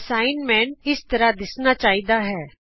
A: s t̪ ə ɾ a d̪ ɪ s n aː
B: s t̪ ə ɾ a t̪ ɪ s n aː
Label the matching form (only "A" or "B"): A